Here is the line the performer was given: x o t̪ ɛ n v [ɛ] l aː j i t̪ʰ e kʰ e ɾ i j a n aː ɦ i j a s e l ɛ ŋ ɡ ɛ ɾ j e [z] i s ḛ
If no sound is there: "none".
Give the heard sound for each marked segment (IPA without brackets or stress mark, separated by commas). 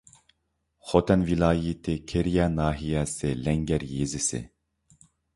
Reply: i, z